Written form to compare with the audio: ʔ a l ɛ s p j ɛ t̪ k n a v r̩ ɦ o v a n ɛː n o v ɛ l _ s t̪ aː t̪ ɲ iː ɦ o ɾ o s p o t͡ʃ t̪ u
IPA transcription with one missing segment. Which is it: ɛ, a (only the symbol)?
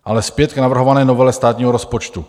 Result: ɛ